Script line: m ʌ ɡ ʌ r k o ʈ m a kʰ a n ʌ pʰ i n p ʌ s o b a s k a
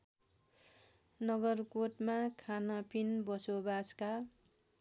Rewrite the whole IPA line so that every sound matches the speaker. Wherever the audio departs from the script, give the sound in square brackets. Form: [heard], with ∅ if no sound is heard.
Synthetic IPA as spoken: [n] ʌ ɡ ʌ r k o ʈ m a kʰ a n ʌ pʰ i n [b] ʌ s o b a s k a